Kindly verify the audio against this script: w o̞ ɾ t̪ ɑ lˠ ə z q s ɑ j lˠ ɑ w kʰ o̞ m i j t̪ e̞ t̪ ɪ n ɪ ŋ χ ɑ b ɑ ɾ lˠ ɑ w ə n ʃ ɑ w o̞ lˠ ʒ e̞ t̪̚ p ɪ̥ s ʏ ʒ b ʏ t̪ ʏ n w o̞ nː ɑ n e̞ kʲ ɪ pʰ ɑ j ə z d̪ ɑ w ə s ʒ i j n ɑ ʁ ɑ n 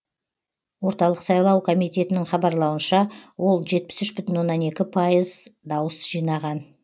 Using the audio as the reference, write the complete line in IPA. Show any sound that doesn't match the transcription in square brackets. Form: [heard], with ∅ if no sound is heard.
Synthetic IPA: w o̞ ɾ t̪ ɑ lˠ ə [∅] q s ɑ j lˠ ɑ w kʰ o̞ m i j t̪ e̞ t̪ ɪ n ɪ ŋ χ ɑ b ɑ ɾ lˠ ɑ w ə n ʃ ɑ w o̞ lˠ ʒ e̞ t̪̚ p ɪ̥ s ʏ [ʃ] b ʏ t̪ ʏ n w o̞ nː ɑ n e̞ kʲ ɪ pʰ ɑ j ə z d̪ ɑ w ə s ʒ i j n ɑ ʁ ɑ n

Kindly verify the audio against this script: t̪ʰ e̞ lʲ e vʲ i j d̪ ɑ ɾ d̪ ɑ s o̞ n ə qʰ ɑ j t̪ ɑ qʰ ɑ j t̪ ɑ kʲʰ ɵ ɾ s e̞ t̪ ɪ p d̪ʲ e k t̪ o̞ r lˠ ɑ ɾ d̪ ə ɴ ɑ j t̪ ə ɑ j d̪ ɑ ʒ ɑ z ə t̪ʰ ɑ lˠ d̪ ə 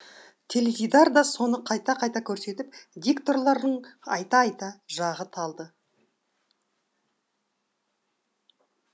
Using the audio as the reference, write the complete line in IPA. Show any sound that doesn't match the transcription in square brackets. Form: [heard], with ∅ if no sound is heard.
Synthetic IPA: t̪ʰ e̞ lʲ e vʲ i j d̪ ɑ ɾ d̪ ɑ s o̞ n ə qʰ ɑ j t̪ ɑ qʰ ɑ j t̪ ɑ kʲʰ ɵ ɾ s e̞ t̪ ɪ p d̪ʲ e k t̪ o̞ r lˠ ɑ ɾ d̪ ə ɴ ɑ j t̪ [ɑ] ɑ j [t̪] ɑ ʒ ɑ [ʁ] ə t̪ʰ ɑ lˠ d̪ ə

